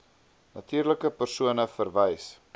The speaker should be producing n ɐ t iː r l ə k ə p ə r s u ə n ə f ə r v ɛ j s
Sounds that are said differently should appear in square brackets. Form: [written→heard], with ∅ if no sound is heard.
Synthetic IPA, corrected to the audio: n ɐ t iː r l ə k ə p ə r s u ə n ə f ə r v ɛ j s